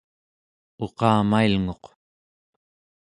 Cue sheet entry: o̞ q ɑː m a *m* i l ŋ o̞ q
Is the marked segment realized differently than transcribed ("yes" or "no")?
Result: yes